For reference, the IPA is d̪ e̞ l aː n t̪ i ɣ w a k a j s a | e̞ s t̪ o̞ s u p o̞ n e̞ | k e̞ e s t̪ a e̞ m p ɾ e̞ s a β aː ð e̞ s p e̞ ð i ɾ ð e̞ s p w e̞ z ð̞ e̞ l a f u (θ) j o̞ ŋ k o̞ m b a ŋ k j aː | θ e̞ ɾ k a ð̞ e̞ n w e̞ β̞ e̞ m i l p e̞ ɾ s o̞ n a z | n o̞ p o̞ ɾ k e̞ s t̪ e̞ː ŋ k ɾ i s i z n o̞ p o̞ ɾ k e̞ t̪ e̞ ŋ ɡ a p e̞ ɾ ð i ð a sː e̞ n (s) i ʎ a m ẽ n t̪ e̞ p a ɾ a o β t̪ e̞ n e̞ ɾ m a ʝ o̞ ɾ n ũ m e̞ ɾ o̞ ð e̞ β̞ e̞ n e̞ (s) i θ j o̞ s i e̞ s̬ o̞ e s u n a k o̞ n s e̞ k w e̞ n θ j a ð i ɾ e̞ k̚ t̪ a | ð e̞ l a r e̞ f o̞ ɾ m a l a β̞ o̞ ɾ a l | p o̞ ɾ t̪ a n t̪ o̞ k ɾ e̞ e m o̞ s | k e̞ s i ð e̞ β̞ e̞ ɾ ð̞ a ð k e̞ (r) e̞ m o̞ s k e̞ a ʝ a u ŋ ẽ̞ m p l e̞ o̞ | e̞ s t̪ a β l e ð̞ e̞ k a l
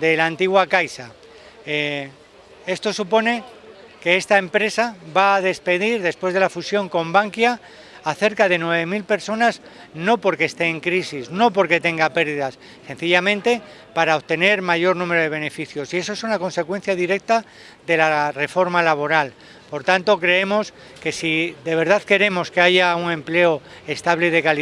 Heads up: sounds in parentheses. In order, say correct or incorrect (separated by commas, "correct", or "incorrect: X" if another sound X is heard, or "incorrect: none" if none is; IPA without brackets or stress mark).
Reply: incorrect: s, incorrect: θ, incorrect: f, incorrect: ɾ